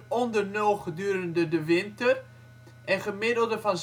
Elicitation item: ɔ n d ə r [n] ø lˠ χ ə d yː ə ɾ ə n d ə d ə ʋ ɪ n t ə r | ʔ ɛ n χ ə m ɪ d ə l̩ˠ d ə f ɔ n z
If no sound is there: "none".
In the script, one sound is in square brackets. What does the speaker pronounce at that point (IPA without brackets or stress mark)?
n